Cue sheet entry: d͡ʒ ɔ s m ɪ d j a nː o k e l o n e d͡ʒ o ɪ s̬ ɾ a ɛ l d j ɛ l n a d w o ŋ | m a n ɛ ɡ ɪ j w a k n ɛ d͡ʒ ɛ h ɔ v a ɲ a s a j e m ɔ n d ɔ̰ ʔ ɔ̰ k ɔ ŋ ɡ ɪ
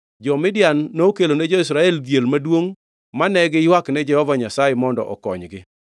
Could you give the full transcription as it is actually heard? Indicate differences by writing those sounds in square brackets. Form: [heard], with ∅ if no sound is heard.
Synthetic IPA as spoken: d͡ʒ ɔ [∅] m ɪ d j a nː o k e l o n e d͡ʒ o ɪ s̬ ɾ a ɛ l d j [e] l [m] a d w o ŋ | m a n ɛ ɡ ɪ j w a k n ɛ d͡ʒ ɛ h ɔ v a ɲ a s a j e m ɔ n d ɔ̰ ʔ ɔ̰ k ɔ [ɲ] ɡ ɪ